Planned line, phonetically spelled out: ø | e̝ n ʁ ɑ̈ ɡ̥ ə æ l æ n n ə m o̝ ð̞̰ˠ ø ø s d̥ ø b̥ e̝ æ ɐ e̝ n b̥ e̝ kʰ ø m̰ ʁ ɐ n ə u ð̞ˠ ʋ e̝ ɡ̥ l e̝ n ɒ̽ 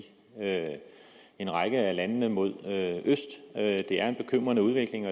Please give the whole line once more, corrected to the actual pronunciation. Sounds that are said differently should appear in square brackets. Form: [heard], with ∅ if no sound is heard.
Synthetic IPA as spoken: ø | e̝ n ʁ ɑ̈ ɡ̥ ə æ l æ n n ə m o̝ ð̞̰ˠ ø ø s d̥ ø [d̥] e̝ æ ɐ e̝ n b̥ e̝ kʰ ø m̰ ʁ ɐ n ə u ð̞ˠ ʋ e̝ ɡ̥ l e̝ [ŋ] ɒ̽